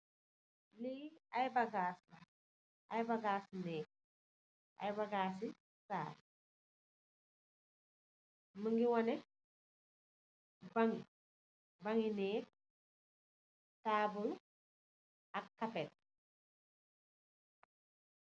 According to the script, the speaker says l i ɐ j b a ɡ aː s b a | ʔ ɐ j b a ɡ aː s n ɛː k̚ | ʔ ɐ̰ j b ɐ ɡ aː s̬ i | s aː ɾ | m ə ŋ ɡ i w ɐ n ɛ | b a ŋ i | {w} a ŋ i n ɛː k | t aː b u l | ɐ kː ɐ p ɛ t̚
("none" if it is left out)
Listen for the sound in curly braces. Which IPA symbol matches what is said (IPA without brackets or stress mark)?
b